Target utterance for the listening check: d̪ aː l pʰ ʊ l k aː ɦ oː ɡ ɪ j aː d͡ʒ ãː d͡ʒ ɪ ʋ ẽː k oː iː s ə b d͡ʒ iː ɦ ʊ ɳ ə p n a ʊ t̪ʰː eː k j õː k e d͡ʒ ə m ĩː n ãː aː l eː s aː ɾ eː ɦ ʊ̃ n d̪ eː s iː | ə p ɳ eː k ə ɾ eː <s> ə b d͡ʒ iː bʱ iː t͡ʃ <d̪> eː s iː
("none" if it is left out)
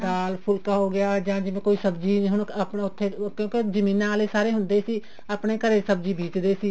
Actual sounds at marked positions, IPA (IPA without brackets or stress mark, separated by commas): s, d̪